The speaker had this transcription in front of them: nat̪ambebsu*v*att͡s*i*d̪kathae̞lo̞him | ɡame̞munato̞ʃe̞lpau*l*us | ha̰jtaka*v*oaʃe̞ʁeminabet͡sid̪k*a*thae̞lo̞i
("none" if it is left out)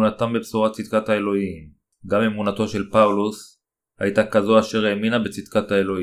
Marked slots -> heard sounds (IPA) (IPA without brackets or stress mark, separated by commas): ʁ, i, l, z, a